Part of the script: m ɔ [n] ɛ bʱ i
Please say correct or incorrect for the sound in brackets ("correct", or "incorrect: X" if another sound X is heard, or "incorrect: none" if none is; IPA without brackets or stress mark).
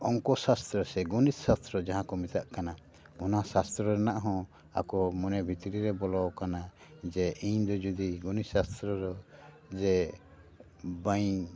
correct